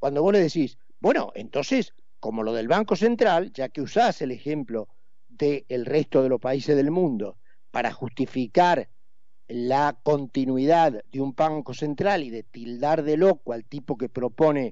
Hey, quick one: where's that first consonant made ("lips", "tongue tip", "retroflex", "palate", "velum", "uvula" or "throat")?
velum